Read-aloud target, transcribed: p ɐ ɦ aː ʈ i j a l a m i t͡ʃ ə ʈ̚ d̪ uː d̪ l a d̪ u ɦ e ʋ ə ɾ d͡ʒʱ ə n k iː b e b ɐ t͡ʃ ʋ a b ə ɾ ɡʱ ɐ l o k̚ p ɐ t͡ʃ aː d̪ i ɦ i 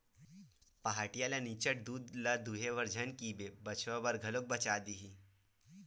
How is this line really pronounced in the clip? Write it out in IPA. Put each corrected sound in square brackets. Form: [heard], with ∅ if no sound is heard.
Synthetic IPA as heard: p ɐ ɦ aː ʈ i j a l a [n] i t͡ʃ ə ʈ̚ d̪ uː d̪ l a d̪ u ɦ e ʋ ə ɾ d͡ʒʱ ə n k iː b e b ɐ t͡ʃ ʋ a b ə ɾ ɡʱ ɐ l o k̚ [b] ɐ t͡ʃ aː d̪ i ɦ i